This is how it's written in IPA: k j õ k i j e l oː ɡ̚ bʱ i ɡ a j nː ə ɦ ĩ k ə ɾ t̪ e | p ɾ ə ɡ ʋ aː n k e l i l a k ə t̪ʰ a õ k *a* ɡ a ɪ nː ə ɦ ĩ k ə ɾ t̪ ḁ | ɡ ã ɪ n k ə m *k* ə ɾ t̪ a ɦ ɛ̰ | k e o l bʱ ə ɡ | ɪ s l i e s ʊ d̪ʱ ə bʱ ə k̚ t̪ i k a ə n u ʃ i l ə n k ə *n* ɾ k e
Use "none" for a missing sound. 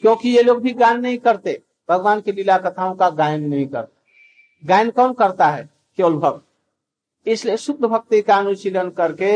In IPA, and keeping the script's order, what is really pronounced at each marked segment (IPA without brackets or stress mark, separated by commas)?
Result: a, k, none